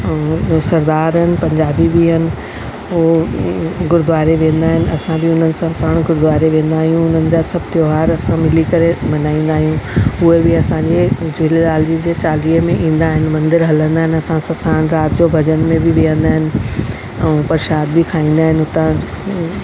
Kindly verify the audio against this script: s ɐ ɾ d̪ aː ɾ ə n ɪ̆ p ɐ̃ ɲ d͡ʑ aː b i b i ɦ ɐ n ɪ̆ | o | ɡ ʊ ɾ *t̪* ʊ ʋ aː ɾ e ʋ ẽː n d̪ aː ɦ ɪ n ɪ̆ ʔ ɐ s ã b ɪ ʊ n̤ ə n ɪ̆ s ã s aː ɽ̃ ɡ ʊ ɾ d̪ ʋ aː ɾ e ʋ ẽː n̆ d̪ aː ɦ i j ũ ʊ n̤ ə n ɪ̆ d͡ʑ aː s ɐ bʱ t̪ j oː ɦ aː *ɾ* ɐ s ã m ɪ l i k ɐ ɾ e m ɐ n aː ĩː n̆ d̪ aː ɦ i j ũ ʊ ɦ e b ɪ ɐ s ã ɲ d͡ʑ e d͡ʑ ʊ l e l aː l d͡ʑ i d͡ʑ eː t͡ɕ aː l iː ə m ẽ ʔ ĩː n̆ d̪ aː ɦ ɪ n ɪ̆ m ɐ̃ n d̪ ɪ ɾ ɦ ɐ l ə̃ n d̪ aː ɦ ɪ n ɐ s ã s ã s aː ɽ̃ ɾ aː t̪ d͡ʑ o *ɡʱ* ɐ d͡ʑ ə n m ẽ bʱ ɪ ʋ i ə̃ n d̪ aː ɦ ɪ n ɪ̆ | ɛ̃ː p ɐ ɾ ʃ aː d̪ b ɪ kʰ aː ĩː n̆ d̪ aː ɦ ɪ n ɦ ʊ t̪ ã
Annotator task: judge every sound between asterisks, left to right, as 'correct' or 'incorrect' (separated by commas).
incorrect, correct, incorrect